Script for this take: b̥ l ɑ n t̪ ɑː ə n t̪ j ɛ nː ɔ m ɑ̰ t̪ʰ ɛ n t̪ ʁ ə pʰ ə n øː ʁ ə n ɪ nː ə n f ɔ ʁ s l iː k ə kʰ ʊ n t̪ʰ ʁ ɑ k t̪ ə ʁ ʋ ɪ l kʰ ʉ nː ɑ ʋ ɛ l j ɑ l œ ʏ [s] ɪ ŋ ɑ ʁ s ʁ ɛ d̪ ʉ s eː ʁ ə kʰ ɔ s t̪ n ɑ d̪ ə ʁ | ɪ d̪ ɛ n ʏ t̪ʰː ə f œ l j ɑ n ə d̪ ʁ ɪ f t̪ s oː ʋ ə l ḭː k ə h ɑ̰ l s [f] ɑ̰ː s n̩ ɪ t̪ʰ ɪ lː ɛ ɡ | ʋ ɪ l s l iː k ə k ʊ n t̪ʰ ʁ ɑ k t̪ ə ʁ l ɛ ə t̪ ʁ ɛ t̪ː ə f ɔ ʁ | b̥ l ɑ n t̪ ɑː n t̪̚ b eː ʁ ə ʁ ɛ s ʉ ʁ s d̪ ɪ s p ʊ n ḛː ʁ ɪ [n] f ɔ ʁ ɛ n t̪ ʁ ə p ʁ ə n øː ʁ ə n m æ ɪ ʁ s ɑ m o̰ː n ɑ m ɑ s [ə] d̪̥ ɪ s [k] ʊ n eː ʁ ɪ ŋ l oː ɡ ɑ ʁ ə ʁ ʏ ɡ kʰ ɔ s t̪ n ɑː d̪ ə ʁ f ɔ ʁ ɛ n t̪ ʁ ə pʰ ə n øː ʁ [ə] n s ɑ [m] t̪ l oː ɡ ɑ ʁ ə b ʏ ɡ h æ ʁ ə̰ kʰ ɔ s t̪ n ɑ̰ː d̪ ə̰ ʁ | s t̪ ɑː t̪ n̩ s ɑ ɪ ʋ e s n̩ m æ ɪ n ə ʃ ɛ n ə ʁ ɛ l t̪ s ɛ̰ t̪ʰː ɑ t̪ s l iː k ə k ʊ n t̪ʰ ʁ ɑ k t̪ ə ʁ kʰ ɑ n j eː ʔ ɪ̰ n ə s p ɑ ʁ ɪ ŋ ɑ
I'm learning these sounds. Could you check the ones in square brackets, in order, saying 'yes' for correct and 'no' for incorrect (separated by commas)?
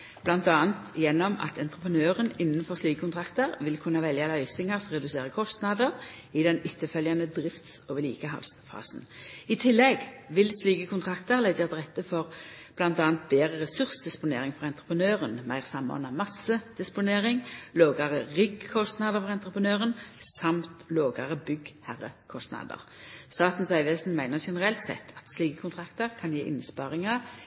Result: yes, yes, no, yes, no, yes, yes